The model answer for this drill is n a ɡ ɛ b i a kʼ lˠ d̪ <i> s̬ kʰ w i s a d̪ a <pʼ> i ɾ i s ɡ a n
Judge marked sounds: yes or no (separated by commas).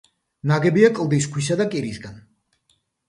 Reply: yes, no